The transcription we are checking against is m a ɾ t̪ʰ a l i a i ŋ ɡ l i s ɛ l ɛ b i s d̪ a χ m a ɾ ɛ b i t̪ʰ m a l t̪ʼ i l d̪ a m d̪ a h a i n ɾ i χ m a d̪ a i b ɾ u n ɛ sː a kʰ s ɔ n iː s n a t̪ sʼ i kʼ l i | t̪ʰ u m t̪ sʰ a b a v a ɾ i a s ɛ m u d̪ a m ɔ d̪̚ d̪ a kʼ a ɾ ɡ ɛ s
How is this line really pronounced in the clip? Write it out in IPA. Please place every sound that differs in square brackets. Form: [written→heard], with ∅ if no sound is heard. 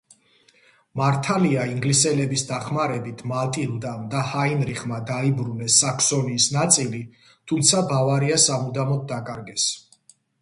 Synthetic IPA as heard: m a ɾ t̪ʰ a l i a i ŋ ɡ l i s ɛ l ɛ b i s d̪ a χ m a ɾ ɛ b i t̪ʰ m a l t̪ʼ i l d̪ a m d̪ a h a i n ɾ i χ m a d̪ a i b ɾ u n ɛ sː a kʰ s ɔ n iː s n a t̪ sʼ i [kʼ→∅] l i | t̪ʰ u m t̪ sʰ a b a v a ɾ i a s [ɛ→a] m u d̪ a m ɔ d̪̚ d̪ a kʼ a ɾ ɡ ɛ s